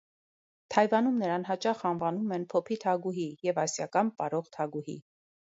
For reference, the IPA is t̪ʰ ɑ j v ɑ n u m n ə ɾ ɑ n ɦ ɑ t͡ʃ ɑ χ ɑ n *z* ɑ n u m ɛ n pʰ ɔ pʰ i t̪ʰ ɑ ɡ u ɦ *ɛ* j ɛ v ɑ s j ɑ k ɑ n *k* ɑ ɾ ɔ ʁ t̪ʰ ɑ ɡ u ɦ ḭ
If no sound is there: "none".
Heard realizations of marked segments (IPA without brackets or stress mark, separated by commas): v, i, p